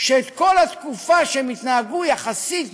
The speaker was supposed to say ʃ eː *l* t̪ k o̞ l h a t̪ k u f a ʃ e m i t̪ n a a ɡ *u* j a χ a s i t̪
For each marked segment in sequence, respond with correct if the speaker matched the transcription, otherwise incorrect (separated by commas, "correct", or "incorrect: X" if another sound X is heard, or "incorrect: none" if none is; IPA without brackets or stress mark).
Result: incorrect: none, correct